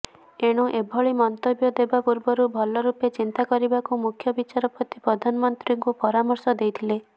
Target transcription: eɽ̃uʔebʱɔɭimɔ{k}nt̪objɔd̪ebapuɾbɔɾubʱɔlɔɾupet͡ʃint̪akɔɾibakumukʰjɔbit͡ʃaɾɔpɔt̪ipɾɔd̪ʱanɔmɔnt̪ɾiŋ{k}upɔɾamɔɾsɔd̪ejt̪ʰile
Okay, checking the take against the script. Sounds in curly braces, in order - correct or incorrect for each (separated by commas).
incorrect, correct